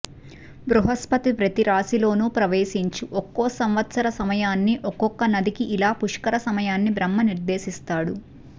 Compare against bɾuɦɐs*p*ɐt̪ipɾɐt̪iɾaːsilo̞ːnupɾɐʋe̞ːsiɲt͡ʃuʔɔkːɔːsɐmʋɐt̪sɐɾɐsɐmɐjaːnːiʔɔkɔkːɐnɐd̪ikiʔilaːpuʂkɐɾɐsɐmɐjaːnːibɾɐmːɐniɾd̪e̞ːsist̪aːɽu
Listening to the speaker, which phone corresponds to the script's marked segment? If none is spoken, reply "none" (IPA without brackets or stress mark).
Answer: p